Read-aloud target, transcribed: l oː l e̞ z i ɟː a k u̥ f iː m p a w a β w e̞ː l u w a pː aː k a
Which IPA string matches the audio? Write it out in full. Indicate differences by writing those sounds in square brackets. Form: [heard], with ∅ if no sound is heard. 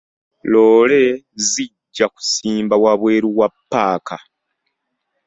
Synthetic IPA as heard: l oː l e̞ z i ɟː a k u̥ [s] iː m [b] a w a β w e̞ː [ɾ] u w a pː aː k a